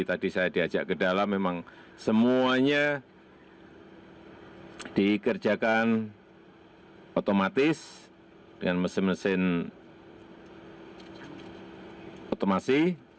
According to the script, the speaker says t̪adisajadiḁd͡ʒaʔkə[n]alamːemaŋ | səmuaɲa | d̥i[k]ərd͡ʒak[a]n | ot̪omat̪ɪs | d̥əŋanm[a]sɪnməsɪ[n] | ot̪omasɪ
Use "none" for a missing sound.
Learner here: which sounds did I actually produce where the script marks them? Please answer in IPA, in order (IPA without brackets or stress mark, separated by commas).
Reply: d, k, a, ə, n